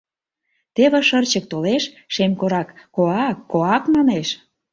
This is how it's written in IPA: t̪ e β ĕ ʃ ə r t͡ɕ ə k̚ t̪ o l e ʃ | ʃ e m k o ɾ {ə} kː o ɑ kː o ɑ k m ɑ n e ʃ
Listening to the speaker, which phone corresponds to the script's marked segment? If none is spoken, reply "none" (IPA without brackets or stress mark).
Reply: ɑ